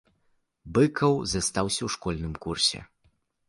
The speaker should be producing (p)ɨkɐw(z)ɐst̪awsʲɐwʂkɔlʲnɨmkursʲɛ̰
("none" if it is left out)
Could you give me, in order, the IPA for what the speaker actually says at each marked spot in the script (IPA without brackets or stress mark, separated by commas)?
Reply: b, z